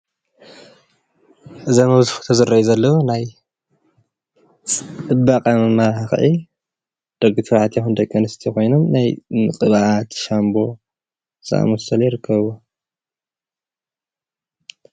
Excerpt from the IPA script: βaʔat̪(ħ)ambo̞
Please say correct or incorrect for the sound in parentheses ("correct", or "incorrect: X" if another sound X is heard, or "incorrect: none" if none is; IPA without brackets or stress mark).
incorrect: ʃ